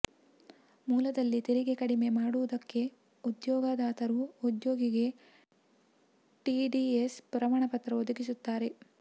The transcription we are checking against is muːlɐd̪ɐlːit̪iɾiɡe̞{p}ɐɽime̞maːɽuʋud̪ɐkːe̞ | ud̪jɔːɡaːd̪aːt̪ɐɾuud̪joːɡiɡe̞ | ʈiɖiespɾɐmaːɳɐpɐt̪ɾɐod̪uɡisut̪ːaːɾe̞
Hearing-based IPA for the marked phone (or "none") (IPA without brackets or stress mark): k